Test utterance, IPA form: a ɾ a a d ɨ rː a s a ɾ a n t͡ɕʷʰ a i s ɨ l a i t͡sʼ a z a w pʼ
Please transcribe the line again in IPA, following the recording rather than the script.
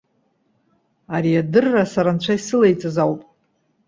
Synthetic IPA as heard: a ɾ i a d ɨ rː a s a ɾ a n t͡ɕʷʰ a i s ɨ l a j t͡sʼ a z a w pʼ